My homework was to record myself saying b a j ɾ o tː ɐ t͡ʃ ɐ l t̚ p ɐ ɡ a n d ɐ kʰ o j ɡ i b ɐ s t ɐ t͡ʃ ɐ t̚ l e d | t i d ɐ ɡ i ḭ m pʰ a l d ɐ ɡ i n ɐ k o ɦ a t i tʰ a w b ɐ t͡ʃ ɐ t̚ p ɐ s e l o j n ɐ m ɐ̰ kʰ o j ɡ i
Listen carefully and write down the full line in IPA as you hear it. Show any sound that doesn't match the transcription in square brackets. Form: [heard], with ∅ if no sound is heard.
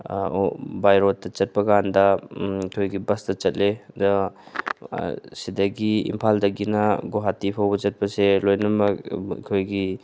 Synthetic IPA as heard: b a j ɾ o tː ɐ t͡ʃ ɐ [∅] t̚ p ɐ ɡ a n d ɐ kʰ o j ɡ i b ɐ s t ɐ t͡ʃ ɐ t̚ l e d | [s] i d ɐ ɡ i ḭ m pʰ a l d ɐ ɡ i n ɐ [ɡ] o ɦ a t i [pʰ] a w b ɐ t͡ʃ ɐ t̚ p ɐ s e l o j n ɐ m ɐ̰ kʰ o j ɡ i